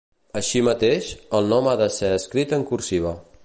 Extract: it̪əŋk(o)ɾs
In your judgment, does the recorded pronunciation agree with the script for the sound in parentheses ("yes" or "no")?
no